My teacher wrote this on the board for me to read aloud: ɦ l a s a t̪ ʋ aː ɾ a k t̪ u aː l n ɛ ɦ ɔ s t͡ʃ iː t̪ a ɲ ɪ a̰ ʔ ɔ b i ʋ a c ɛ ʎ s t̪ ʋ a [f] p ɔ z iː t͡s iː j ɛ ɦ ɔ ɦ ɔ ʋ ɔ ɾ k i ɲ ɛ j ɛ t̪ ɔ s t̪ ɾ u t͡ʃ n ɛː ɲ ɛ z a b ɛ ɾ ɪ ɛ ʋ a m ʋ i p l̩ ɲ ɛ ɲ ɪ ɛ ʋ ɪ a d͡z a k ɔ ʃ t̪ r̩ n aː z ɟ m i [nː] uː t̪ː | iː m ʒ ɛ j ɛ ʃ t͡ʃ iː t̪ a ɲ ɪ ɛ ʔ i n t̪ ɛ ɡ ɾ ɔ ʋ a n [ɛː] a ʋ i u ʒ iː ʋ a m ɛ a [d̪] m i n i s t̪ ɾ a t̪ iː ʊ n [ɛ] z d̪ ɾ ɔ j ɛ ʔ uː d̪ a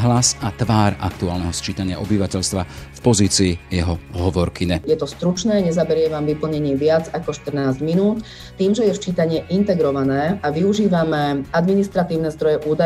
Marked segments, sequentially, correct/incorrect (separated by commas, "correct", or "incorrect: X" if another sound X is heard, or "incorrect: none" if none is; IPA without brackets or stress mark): correct, incorrect: n, correct, correct, correct